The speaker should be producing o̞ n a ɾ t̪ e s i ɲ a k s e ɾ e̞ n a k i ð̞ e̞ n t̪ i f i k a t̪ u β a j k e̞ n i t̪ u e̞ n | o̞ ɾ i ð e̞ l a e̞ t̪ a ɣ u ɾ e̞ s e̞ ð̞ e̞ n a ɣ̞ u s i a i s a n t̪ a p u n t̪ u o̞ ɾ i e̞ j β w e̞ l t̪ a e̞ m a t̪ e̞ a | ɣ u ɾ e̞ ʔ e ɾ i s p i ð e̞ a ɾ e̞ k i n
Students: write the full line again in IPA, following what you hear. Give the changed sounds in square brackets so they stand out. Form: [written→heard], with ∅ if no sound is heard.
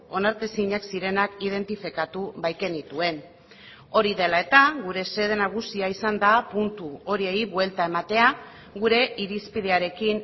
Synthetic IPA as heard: o̞ n a ɾ t̪ e s i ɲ a k s [e→i] ɾ e̞ n a k i ð̞ e̞ n t̪ i f i k a t̪ u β a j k e̞ n i t̪ u e̞ n | o̞ ɾ i ð e̞ l a e̞ t̪ a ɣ u ɾ e̞ s e̞ ð̞ e̞ n a ɣ̞ u s i a i s a n [t̪→d̪] a p u n t̪ u o̞ ɾ i e̞ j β w e̞ l t̪ a e̞ m a t̪ e̞ a | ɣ u ɾ e̞ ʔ [e→i] ɾ i s p i ð e̞ a ɾ e̞ k i n